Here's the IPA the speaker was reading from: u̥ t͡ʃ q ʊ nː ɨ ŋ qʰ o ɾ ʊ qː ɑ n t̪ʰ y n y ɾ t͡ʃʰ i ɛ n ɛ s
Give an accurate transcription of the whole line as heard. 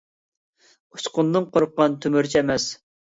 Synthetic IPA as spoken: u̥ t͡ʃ q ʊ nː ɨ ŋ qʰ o ɾ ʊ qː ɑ n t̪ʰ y m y ɾ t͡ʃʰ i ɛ m ɛ s